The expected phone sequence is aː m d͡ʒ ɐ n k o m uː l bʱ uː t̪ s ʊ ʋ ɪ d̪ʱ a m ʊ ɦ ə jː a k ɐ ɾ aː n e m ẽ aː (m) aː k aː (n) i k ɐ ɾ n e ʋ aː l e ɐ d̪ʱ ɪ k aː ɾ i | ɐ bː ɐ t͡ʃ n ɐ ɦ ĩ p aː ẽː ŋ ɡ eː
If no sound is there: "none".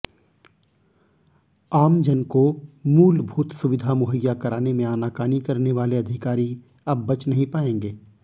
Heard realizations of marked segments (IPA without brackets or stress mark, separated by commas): n, n